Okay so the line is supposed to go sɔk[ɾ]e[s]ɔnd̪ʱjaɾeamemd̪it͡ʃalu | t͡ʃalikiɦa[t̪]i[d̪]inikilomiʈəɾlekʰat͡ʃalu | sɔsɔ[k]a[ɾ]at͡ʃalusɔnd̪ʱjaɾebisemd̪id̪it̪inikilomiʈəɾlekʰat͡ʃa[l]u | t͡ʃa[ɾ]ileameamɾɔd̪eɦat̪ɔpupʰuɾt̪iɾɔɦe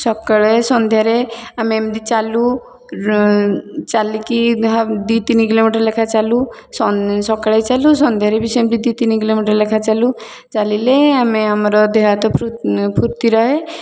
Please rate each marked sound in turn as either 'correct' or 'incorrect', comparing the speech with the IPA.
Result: incorrect: ɭ, correct, incorrect: d̪, incorrect: t̪, correct, incorrect: ɭ, correct, incorrect: l

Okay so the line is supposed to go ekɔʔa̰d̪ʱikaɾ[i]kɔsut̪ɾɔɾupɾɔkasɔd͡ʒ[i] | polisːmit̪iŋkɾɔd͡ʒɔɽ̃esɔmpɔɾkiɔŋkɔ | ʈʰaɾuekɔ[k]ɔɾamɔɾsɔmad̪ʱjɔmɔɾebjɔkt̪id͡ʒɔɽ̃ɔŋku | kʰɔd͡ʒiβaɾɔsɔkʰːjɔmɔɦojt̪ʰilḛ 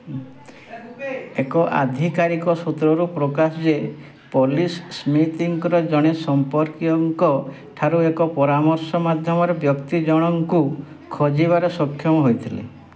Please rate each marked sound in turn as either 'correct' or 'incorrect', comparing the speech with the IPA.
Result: correct, incorrect: e, incorrect: p

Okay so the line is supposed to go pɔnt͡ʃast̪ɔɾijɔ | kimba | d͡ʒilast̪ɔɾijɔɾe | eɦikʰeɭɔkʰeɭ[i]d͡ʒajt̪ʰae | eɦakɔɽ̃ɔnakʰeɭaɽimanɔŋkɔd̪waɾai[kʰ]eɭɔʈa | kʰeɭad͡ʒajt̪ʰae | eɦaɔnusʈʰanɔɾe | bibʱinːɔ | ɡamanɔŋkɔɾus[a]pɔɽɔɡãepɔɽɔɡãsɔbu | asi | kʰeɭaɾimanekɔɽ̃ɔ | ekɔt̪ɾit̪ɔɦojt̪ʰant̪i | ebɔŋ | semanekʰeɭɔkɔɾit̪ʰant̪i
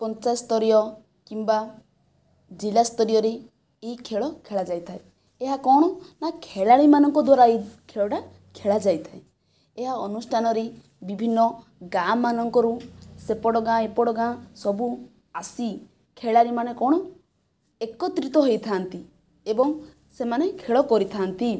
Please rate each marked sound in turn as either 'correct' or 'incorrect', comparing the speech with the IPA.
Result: incorrect: a, correct, incorrect: e

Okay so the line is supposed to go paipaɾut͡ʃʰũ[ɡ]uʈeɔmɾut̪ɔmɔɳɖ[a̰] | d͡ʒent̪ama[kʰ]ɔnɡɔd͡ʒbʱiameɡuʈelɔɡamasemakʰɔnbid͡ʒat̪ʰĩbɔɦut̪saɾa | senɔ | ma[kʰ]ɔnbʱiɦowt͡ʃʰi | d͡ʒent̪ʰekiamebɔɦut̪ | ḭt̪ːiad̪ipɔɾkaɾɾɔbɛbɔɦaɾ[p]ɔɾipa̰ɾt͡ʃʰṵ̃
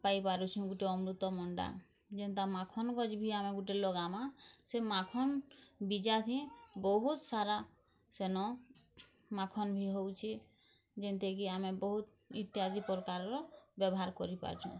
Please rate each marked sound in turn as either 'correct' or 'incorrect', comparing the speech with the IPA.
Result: correct, correct, correct, correct, incorrect: k

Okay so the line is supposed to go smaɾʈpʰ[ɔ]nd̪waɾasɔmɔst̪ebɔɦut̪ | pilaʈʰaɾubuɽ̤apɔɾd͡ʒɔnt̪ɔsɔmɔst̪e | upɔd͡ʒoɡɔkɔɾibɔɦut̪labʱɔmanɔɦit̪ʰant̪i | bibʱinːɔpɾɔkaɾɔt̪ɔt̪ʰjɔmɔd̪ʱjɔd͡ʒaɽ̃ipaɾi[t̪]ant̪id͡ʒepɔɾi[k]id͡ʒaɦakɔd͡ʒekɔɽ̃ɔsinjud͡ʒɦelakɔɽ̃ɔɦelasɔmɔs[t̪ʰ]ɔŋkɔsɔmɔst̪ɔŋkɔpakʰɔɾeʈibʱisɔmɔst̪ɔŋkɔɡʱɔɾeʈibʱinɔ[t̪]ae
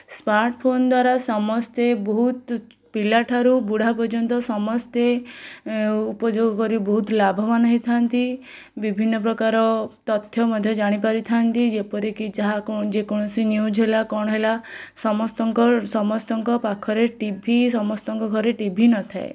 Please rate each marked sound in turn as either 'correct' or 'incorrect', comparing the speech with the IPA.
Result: incorrect: o, incorrect: t̪ʰ, correct, incorrect: t̪, incorrect: t̪ʰ

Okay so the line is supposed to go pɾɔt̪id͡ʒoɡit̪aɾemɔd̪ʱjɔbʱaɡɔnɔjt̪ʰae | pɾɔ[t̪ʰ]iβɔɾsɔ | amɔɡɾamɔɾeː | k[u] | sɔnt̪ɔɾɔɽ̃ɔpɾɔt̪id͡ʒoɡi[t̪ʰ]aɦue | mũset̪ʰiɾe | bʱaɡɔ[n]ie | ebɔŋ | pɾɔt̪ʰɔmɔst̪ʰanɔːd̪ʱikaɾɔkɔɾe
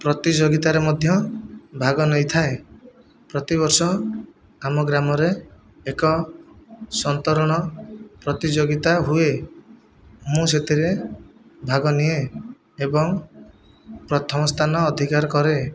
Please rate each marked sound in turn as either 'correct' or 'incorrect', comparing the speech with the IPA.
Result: incorrect: t̪, incorrect: ɔ, incorrect: t̪, correct

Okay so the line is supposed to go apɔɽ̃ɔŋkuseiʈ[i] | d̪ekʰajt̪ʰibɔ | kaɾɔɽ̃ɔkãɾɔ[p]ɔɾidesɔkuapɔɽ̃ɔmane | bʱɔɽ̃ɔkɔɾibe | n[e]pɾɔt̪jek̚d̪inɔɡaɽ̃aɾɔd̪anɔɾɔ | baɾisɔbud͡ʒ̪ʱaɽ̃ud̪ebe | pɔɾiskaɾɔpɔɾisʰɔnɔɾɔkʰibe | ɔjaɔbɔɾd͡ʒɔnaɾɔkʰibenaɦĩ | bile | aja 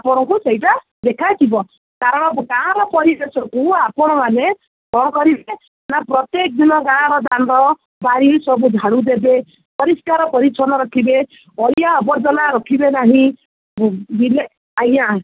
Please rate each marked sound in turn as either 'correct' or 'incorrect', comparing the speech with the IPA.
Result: incorrect: a, correct, incorrect: a

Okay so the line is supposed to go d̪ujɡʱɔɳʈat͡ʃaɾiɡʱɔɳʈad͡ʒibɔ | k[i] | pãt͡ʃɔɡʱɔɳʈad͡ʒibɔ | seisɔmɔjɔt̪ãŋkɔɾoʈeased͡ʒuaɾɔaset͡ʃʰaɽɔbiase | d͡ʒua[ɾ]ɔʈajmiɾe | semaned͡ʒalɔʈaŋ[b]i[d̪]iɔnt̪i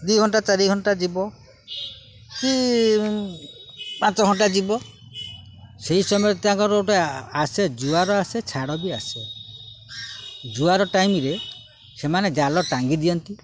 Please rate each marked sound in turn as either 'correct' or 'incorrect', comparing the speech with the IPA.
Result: correct, correct, incorrect: ɡ, correct

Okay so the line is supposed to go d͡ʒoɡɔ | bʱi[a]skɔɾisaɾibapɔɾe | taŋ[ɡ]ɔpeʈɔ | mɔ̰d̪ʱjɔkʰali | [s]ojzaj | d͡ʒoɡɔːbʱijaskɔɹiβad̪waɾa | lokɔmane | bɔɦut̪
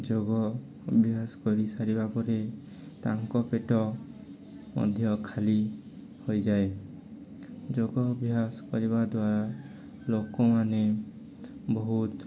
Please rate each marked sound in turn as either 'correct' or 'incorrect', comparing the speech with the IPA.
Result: correct, incorrect: k, incorrect: h

